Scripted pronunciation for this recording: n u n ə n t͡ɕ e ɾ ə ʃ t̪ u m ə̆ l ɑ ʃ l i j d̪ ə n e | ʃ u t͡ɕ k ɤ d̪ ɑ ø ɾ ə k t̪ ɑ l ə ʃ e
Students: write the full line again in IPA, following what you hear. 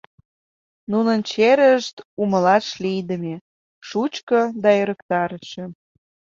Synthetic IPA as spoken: n u n ə n t͡ɕ e ɾ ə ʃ t̪ u m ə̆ l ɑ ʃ l i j d̪ ə m e | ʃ u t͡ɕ k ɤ d̪ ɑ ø ɾ ə k t̪ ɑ ɾ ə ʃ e